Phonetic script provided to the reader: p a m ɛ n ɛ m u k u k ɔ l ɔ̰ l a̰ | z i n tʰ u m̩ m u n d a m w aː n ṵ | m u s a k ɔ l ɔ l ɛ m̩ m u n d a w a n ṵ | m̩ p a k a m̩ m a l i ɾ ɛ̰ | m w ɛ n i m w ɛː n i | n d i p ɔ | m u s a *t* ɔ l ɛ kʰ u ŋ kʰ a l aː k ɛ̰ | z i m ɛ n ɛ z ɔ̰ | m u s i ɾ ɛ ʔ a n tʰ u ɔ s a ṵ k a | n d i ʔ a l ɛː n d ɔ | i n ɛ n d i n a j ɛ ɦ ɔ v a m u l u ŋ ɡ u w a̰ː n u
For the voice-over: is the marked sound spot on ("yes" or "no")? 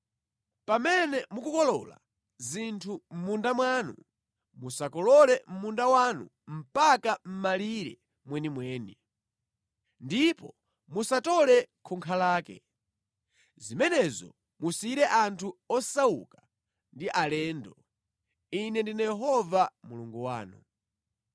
yes